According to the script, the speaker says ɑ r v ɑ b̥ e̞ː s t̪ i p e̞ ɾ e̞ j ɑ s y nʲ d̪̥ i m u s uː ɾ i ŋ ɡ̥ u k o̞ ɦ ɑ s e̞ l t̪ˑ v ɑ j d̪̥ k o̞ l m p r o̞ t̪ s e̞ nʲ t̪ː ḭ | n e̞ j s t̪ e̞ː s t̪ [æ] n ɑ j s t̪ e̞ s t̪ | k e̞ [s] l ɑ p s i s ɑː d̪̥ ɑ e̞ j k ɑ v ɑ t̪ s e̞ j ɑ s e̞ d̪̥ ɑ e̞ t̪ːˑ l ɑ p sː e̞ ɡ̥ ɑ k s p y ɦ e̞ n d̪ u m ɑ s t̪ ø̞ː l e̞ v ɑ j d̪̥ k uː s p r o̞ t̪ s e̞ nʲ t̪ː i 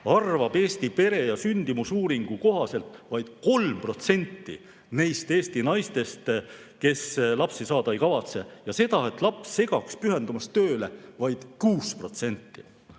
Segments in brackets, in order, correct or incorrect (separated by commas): incorrect, correct